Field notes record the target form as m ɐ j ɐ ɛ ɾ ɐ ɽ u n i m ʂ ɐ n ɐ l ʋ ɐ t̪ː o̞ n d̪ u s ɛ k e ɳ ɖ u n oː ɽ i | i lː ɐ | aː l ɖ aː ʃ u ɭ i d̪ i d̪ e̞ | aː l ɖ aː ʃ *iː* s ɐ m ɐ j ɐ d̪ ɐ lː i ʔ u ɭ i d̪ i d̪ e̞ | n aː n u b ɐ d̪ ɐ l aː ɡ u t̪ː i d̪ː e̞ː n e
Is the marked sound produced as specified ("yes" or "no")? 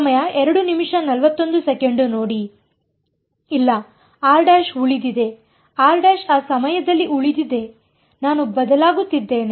no